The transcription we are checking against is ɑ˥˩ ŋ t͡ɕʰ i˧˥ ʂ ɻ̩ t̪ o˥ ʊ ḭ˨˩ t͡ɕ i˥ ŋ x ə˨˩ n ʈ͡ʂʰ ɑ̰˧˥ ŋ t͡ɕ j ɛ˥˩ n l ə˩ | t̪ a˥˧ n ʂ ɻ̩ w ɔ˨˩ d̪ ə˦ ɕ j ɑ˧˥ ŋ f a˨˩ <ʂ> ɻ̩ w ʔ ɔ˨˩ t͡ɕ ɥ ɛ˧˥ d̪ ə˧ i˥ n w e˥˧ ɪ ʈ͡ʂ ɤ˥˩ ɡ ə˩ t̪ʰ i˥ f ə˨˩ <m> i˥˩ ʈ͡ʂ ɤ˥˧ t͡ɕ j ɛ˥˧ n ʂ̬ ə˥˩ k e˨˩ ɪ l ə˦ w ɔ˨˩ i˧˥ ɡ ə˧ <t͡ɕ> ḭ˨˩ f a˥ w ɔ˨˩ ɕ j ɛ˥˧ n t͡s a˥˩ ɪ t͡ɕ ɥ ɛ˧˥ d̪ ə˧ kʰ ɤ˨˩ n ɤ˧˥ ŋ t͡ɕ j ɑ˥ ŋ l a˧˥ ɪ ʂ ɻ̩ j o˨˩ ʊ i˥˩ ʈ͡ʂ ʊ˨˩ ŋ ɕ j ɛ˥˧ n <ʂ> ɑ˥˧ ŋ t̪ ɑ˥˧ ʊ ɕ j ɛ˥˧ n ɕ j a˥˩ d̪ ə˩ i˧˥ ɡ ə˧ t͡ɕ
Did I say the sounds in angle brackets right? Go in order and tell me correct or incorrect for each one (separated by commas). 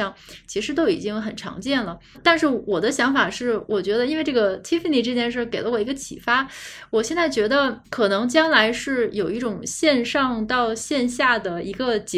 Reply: correct, incorrect, incorrect, correct